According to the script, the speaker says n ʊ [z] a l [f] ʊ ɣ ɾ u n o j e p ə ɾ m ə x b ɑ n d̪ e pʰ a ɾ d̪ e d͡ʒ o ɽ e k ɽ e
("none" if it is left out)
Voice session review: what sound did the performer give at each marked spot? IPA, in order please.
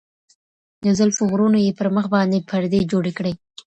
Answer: z, f

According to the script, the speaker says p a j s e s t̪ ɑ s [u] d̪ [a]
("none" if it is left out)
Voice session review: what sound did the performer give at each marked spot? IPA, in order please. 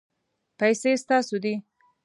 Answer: o, i

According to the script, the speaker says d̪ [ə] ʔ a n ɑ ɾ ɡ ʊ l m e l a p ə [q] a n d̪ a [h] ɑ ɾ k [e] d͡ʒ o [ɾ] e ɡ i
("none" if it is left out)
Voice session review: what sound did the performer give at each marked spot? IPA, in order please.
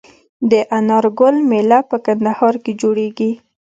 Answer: ə, k, h, e, ɽ

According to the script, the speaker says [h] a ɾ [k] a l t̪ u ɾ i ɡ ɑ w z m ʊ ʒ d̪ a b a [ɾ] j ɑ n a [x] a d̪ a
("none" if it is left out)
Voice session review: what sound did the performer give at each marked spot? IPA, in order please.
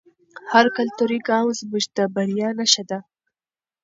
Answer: h, k, ɾ, ʃ

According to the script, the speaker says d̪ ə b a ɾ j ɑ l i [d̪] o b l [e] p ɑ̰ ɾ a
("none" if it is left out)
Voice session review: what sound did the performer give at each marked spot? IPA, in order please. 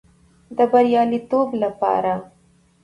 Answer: t̪, a

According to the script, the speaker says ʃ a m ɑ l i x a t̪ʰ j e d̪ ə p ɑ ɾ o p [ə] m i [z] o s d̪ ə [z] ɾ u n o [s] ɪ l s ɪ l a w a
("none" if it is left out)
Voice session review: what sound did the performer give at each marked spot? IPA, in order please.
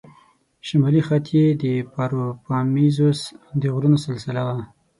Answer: ɑ, z, ɣ, s

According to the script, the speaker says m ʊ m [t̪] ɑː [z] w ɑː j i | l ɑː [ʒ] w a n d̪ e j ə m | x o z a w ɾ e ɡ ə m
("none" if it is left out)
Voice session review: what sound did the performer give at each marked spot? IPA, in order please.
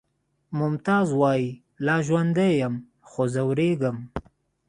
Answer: t̪, z, ʒ

